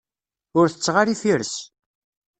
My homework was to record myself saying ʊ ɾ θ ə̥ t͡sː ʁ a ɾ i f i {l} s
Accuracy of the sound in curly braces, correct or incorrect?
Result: incorrect